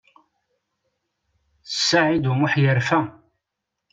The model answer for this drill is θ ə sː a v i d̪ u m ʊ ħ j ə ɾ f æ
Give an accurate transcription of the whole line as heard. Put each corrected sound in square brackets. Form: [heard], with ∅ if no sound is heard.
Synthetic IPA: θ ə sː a [ʕ] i d̪ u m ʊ ħ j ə ɾ f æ